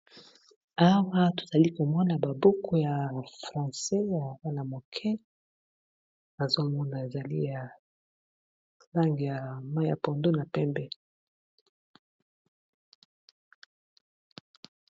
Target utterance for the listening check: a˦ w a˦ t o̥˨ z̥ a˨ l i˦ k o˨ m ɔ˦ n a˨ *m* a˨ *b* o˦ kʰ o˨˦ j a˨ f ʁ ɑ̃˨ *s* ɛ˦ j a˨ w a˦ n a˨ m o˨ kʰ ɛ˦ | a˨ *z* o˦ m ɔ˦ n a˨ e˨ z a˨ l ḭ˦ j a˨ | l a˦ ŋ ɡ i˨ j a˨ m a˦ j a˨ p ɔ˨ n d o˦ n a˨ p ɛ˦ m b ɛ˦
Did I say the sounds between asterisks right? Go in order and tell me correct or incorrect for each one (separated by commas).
incorrect, correct, correct, correct